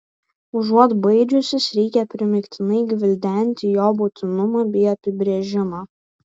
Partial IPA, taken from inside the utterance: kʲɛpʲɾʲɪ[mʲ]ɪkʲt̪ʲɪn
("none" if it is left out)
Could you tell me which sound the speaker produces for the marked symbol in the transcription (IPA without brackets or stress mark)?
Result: mʲ